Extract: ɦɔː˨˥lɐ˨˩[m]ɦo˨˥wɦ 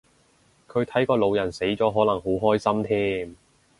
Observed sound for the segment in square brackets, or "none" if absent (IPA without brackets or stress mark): ŋ